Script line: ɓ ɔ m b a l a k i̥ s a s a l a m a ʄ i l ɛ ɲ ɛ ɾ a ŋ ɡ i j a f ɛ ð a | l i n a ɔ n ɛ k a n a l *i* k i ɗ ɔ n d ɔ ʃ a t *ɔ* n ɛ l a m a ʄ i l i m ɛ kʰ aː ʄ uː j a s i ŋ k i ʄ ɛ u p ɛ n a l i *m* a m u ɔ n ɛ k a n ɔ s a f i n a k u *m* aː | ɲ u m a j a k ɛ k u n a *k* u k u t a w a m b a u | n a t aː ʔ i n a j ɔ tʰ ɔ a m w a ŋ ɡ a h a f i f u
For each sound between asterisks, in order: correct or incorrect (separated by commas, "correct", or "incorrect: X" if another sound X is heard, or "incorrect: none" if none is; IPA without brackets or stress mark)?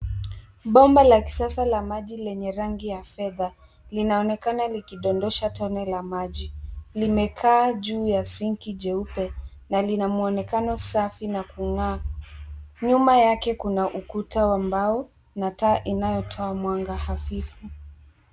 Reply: correct, correct, incorrect: n, incorrect: ŋ, incorrect: ʔ